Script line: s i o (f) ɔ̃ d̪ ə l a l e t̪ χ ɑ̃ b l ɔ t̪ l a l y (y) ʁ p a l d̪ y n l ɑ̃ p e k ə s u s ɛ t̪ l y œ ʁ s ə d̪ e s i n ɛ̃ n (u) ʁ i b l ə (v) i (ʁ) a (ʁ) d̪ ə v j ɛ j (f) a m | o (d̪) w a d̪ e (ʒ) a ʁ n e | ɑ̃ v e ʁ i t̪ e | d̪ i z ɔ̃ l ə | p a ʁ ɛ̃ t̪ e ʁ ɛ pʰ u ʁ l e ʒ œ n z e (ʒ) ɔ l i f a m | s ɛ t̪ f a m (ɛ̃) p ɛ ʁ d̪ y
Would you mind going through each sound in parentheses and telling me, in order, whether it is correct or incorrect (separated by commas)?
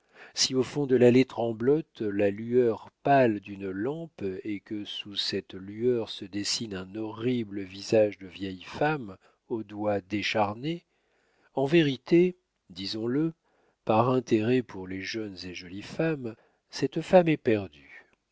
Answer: correct, incorrect, incorrect, correct, incorrect, incorrect, correct, correct, incorrect, correct, incorrect